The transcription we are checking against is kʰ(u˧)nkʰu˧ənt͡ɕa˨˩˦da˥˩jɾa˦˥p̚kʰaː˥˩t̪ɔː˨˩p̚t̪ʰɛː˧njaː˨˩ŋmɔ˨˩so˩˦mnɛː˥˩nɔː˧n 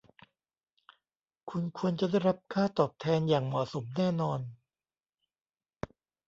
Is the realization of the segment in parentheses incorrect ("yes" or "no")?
no